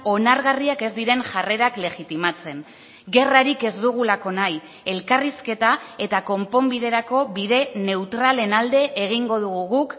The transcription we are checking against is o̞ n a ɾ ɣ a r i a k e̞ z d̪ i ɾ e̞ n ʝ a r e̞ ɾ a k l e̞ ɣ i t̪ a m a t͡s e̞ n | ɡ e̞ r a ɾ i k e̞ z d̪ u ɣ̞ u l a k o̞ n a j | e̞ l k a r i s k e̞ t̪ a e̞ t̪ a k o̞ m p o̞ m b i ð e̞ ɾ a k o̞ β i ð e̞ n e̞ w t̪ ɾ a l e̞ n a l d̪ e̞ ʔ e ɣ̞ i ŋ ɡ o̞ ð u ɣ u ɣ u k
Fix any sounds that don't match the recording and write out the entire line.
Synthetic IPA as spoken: o̞ n a ɾ ɣ a r i a k e̞ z d̪ i ɾ e̞ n ʝ a r e̞ ɾ a k l e̞ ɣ i t̪ i m a t͡s e̞ n | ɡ e̞ r a ɾ i k e̞ z d̪ u ɣ̞ u l a k o̞ n a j | e̞ l k a r i s k e̞ t̪ a e̞ t̪ a k o̞ m p o̞ m b i ð e̞ ɾ a k o̞ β i ð e̞ n e̞ w t̪ ɾ a l e̞ n a l d̪ e̞ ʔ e ɣ̞ i ŋ ɡ o̞ ð u ɣ u ɣ u k